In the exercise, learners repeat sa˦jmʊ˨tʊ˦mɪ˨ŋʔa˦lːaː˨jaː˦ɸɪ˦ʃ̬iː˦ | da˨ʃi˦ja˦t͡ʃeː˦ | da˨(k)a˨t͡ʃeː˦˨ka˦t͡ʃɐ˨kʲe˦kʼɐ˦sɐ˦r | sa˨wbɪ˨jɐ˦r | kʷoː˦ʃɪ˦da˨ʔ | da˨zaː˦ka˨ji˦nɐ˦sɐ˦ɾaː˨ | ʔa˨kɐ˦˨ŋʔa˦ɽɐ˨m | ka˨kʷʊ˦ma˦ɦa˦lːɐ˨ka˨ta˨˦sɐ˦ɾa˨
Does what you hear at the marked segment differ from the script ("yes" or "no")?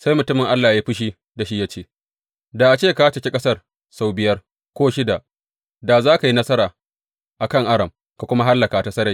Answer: yes